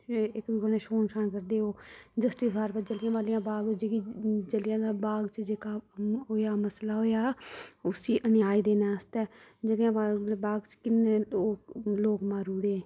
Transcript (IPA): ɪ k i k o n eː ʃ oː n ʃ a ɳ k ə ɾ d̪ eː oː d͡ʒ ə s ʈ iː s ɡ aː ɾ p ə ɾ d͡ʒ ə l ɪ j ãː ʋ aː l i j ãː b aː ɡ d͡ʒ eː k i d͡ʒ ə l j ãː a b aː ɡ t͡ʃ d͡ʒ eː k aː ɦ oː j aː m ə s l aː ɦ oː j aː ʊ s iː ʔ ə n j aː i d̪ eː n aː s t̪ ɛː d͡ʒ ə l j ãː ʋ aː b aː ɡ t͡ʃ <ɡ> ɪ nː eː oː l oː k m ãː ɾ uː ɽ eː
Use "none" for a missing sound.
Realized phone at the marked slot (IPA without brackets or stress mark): k